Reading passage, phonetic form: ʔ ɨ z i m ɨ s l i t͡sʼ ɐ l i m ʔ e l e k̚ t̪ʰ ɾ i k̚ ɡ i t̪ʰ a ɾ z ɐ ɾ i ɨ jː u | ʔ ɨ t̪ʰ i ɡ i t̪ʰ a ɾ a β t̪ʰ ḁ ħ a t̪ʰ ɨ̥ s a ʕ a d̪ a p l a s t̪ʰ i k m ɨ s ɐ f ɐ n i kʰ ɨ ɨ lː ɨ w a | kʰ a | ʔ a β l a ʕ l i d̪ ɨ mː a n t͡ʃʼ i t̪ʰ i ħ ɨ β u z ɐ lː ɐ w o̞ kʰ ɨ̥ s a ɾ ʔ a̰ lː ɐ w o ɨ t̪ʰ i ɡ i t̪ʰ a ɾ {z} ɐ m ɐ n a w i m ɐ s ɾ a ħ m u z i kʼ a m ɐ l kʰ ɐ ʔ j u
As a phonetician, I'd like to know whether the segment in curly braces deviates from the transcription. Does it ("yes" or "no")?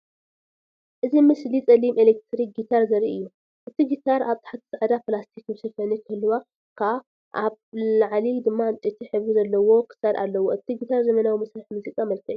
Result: no